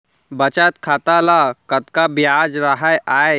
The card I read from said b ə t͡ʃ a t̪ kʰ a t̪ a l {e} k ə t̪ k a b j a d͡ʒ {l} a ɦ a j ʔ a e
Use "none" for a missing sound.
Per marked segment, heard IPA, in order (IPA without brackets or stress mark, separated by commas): a, ɾ